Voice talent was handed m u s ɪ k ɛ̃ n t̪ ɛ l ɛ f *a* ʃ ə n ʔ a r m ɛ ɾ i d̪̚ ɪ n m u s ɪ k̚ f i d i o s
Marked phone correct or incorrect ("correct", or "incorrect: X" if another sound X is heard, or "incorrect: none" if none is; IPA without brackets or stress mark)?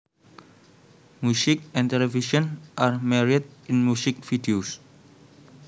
incorrect: i